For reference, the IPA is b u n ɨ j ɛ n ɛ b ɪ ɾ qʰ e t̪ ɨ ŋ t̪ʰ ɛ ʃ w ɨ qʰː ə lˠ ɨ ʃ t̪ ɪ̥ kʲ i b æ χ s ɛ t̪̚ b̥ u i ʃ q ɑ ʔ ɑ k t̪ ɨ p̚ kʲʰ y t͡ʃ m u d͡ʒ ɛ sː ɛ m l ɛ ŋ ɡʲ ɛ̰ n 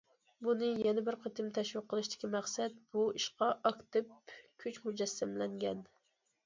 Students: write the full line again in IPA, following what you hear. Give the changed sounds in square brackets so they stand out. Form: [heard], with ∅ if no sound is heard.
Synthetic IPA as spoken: b u n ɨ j ɛ n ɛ b ɪ ɾ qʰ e t̪ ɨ [m] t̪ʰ ɛ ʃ w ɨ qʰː ə lˠ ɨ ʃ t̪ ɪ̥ kʲ i [m] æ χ s ɛ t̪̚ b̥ u i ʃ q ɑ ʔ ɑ k t̪ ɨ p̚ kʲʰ y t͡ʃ m u d͡ʒ ɛ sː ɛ m l ɛ ŋ ɡʲ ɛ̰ n